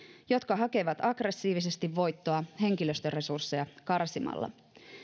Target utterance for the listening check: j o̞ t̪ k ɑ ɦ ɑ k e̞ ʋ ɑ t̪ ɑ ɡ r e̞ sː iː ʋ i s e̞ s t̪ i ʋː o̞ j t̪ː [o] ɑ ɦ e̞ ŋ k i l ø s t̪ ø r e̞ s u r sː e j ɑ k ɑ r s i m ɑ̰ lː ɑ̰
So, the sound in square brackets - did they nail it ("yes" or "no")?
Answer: yes